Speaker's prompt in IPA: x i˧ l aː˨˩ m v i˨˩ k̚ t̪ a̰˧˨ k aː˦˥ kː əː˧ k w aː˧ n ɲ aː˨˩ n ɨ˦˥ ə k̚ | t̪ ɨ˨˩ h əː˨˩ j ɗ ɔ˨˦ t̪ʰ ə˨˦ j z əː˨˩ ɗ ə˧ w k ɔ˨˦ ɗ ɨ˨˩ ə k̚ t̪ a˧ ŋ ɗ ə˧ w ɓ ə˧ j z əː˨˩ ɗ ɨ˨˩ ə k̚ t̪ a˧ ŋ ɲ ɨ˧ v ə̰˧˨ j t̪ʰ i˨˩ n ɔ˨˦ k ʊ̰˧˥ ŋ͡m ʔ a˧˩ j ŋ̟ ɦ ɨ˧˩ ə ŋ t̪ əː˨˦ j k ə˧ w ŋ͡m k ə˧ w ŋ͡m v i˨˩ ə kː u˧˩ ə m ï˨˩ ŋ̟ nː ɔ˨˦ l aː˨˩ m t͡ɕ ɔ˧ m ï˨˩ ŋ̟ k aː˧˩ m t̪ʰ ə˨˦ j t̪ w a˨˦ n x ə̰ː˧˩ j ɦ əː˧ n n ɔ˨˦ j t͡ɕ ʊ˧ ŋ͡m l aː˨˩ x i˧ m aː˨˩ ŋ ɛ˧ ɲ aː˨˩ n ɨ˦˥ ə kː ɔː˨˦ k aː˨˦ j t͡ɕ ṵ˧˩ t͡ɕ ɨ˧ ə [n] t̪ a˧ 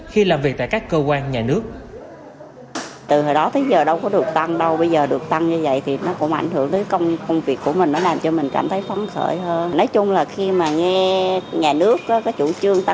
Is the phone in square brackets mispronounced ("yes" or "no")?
yes